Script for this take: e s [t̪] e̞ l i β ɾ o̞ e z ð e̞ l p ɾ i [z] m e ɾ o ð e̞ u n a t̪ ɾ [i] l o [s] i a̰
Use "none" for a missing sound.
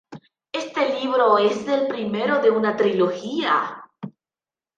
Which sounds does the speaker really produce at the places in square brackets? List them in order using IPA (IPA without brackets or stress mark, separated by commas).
t̪, none, i, x